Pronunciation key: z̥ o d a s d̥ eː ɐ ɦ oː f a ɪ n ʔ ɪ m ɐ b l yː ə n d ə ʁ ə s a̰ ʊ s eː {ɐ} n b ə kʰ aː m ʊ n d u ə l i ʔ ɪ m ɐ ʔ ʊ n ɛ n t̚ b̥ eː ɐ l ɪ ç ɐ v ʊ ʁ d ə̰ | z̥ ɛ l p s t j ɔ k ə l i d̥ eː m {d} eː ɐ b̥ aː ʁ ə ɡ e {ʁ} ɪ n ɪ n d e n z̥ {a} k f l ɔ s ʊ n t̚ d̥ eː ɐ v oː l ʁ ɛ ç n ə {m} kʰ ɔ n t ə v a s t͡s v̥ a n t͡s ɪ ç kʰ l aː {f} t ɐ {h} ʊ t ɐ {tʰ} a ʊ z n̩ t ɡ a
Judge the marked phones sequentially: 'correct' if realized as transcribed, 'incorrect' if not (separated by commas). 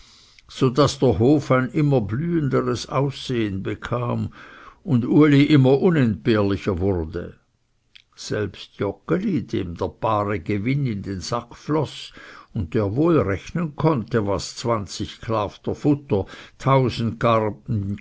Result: incorrect, correct, incorrect, correct, incorrect, correct, incorrect, correct